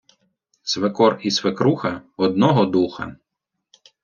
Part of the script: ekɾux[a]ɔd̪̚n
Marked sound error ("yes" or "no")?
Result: yes